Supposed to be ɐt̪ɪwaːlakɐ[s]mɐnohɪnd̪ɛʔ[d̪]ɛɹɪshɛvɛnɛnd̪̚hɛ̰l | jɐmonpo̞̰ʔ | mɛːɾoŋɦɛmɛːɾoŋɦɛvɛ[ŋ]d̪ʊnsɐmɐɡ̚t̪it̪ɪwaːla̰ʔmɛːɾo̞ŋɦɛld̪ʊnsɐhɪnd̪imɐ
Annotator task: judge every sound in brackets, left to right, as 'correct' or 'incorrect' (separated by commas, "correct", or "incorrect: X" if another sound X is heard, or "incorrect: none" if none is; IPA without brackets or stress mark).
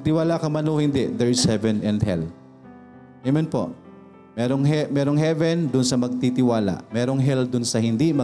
incorrect: none, correct, incorrect: n